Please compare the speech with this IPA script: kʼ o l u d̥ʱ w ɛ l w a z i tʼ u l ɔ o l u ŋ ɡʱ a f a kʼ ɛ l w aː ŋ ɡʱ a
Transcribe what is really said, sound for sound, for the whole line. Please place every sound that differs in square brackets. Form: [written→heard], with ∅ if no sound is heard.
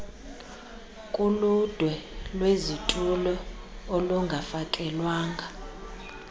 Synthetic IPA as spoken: kʼ [o→u] l u d̥ʱ w ɛ l w [a→e] z i tʼ u l ɔ o l u ŋ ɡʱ a f a kʼ ɛ l w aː ŋ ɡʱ a